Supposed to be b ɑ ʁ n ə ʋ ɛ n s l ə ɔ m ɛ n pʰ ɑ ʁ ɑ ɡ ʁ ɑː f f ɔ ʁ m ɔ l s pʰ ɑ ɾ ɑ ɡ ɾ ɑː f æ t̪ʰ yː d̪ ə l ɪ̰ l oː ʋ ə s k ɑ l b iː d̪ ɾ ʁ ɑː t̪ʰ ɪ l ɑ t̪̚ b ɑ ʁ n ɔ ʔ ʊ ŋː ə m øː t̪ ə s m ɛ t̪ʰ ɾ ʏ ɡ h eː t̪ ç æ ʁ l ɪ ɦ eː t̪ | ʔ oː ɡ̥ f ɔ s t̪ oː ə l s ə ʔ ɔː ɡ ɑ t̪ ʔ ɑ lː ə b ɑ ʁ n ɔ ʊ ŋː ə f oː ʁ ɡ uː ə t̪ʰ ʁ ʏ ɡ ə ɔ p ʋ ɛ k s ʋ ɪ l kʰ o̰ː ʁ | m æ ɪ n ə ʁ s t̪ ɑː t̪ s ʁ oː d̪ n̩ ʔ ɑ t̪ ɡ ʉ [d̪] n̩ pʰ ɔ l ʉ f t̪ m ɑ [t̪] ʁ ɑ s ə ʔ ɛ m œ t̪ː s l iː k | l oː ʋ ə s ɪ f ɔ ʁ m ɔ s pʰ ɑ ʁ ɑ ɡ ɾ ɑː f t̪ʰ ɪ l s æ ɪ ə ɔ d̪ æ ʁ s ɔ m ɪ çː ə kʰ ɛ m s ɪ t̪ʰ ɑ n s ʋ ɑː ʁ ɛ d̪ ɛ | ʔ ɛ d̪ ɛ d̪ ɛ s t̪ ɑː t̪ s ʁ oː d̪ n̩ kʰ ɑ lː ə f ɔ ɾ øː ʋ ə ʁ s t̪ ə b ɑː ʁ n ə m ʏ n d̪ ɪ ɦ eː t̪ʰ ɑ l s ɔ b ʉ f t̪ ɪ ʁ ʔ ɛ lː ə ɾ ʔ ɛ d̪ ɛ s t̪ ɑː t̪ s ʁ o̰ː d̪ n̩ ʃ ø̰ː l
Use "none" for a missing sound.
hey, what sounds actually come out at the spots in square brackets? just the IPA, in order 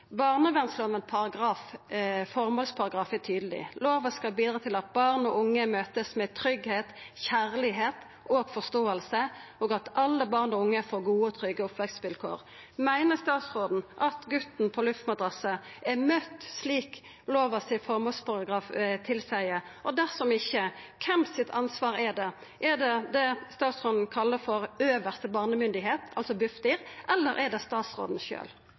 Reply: t̪, d̪

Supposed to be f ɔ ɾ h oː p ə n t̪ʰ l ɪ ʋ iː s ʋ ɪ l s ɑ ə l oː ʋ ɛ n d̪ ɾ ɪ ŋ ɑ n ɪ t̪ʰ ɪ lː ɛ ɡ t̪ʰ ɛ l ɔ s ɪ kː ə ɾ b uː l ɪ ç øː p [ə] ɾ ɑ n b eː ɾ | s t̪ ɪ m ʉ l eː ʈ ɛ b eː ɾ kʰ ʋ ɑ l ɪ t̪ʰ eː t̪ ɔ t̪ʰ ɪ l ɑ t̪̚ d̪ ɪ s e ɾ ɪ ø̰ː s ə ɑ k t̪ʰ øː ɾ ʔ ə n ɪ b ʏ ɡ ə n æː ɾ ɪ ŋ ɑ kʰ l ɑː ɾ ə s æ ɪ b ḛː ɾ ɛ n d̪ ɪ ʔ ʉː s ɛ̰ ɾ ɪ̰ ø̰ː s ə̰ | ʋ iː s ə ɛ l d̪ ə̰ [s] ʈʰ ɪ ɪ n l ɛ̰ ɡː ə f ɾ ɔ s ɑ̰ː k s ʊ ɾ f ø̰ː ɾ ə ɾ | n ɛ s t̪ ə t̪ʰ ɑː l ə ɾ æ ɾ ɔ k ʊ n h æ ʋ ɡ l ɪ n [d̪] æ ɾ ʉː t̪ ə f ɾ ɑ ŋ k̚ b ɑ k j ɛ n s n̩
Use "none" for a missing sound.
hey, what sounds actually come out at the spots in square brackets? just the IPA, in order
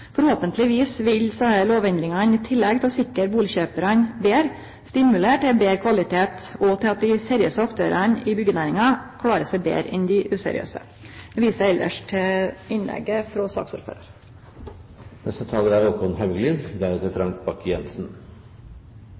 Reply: ə, ʂ, d̪

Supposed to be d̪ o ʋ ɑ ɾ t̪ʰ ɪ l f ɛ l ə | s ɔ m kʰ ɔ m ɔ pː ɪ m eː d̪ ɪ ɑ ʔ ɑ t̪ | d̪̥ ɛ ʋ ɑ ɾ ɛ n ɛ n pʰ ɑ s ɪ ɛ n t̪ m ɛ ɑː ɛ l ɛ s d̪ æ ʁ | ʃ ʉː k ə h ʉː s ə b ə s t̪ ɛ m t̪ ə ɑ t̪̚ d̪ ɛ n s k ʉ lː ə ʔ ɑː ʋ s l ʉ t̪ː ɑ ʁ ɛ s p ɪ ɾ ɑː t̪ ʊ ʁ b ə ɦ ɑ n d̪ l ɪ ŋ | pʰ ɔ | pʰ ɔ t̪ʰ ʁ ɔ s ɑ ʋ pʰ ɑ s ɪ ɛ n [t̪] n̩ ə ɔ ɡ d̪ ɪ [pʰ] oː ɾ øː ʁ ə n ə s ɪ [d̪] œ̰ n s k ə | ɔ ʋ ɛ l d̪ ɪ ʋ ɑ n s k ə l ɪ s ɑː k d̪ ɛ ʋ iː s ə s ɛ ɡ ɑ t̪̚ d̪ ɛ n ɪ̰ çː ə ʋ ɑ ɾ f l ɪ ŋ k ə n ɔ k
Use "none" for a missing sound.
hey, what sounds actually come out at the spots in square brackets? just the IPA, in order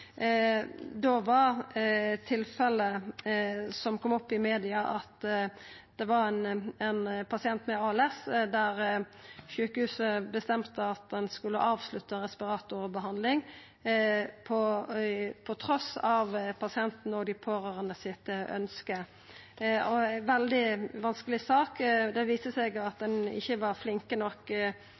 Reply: t̪, pʰ, t̪

